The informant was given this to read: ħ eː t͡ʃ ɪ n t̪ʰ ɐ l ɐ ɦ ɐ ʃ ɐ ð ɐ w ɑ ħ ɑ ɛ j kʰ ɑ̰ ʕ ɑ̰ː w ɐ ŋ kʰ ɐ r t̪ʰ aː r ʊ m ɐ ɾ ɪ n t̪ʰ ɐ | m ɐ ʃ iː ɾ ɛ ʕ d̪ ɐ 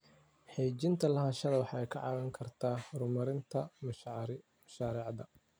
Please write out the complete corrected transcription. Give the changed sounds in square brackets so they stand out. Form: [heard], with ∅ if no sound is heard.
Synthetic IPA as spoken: ħ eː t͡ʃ ɪ n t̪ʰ ɐ l ɐ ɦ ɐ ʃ ɐ ð ɐ w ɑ ħ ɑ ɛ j kʰ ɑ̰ ʕ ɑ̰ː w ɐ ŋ kʰ ɐ r t̪ʰ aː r ʊ m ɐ ɾ ɪ n t̪ʰ ɐ | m ɐ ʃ [aː] ɾ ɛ ʕ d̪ ɐ